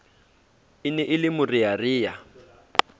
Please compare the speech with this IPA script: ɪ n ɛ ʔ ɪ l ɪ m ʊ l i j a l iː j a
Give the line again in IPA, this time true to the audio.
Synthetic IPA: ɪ n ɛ ʔ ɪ l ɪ m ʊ r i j a r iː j a